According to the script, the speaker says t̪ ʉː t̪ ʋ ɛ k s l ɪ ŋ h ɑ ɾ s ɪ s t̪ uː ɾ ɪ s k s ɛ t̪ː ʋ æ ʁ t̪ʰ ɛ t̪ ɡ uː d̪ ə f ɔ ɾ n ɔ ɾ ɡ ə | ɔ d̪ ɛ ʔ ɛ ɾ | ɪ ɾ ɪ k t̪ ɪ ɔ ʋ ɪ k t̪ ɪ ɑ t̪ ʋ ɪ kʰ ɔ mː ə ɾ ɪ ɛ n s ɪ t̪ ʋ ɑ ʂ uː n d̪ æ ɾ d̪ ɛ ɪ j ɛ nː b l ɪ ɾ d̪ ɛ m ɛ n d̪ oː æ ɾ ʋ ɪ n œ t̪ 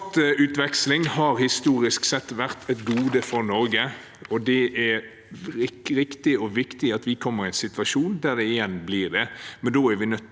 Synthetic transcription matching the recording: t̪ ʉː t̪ ʋ ɛ k s l ɪ ŋ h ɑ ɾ h ɪ s t̪ uː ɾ ɪ s k s ɛ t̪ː ʋ æ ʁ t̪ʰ ɛ t̪ ɡ uː d̪ ə f ɔ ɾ n ɔ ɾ ɡ ə | ɔ d̪ ɛ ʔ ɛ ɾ | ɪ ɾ ɪ k t̪ ɪ ɔ ʋ ɪ k t̪ ɪ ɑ t̪ ʋ ɪ kʰ ɔ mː ə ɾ ɪ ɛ n s ɪ t̪ ʋ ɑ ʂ uː n d̪ æ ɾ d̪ ɛ ɪ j ɛ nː b l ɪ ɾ d̪ ɛ m ɛ n d̪ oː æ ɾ ʋ ɪ n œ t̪